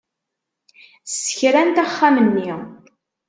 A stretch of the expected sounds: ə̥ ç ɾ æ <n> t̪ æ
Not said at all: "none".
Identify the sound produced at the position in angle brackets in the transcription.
n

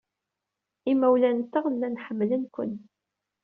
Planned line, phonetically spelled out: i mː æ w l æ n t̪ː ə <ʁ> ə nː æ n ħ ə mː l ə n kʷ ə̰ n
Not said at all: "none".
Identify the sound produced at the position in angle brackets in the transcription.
ʁ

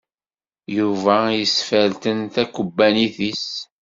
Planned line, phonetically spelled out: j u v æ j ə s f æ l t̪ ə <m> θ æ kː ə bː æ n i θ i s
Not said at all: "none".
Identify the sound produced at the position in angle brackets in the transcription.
n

